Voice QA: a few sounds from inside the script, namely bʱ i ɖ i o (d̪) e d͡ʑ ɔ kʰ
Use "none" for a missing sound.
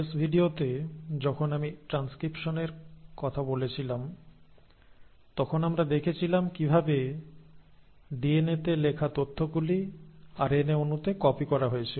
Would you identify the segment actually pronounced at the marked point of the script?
t̪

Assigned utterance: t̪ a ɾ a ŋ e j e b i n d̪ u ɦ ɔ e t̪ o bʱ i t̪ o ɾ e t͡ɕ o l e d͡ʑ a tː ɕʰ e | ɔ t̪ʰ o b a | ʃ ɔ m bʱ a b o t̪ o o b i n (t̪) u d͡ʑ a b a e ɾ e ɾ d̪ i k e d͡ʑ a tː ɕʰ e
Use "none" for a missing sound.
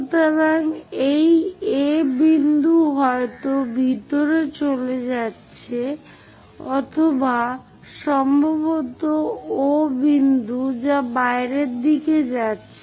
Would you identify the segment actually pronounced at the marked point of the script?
d̪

